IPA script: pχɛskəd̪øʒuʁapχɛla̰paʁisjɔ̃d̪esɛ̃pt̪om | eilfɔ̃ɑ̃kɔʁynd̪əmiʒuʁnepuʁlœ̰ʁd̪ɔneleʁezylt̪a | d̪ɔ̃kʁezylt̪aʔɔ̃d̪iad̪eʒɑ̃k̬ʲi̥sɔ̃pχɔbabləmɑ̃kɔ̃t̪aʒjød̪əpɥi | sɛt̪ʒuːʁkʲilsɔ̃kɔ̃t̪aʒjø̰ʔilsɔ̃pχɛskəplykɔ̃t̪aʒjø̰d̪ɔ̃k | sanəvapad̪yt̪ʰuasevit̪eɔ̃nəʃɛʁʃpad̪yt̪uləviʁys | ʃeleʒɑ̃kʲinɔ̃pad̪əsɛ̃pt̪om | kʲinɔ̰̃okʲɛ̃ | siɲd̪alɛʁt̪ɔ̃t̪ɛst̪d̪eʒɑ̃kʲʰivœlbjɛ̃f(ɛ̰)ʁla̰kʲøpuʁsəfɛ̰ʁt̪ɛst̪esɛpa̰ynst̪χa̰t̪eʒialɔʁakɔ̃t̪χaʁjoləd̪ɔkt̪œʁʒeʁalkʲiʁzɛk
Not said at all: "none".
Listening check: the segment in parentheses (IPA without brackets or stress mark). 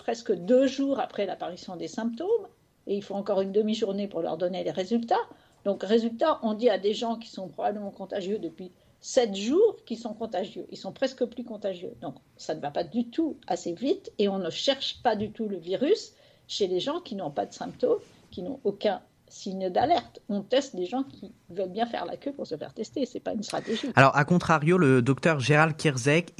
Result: ɛ̰